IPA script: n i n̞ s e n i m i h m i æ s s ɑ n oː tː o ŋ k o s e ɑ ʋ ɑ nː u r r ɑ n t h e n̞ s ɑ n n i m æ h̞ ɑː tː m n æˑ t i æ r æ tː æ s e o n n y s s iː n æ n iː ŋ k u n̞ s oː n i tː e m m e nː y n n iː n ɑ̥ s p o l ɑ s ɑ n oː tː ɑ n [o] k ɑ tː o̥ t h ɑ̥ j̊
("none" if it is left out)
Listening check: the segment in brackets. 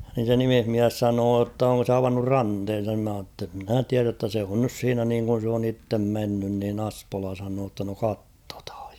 o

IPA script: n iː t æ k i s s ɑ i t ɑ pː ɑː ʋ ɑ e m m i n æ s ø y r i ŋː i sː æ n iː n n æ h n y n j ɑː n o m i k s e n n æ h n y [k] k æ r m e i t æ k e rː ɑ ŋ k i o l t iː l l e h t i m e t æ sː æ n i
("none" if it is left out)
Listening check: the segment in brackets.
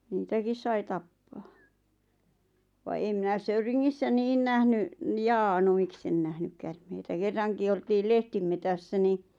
k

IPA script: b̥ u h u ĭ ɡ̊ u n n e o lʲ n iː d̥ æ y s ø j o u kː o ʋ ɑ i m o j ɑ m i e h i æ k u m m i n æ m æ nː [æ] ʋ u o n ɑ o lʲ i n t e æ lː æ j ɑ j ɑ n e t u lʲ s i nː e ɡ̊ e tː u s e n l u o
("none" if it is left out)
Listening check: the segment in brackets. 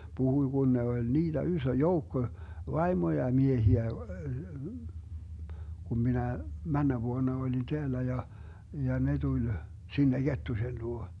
æ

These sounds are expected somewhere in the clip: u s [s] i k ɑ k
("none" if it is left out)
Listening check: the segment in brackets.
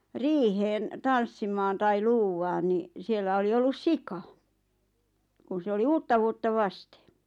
s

